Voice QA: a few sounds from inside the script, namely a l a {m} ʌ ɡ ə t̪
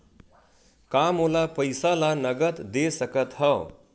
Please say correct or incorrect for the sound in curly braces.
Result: incorrect